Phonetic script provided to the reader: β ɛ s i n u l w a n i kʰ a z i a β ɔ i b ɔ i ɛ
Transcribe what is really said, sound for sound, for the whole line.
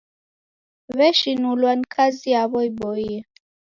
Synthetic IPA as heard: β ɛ ʃ i n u l w a n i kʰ a z i a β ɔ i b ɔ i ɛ